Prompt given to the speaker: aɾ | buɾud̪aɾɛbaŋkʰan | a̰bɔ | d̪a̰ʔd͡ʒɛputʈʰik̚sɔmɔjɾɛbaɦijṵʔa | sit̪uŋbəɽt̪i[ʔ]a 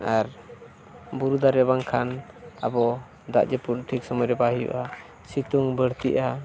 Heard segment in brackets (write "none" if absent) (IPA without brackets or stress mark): ʔ